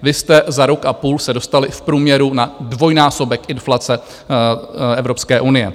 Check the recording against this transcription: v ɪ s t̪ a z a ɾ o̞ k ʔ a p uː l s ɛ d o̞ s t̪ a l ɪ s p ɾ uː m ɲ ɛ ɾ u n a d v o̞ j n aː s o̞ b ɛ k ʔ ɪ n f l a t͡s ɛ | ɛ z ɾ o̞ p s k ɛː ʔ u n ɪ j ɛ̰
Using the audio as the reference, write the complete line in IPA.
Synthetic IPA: v ɪ s t̪ ɛ z a ɾ o̞ k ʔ a p uː l s ɛ d o̞ s t̪ a l ɪ f p ɾ uː m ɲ ɛ ɾ u n a d v o̞ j n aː s o̞ b ɛ k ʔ ɪ n f l a t͡s ɛ | ɛ v ɾ o̞ p s k ɛː ʔ u n ɪ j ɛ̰